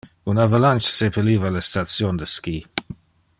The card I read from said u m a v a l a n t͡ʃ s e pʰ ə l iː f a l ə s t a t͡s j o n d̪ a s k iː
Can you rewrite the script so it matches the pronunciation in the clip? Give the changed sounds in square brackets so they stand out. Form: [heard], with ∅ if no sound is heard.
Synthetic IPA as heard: u [n] a v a l a n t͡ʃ s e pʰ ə l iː [v] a l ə s t a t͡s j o n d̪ [ə] s k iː